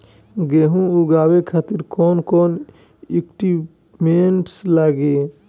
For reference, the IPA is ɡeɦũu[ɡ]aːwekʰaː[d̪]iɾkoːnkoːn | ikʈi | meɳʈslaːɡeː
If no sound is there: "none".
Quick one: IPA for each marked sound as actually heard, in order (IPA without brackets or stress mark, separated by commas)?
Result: ɡ, t̪